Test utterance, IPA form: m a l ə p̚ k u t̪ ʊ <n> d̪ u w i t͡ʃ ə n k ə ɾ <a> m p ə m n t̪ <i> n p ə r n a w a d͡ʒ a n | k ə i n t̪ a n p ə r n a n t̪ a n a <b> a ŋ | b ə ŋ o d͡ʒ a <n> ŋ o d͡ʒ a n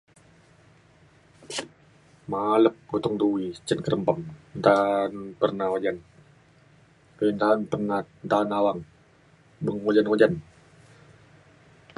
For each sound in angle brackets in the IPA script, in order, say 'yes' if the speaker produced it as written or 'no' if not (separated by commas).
no, no, no, no, yes